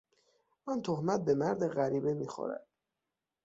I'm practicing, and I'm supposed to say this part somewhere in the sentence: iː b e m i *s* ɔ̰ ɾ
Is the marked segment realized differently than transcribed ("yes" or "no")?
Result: yes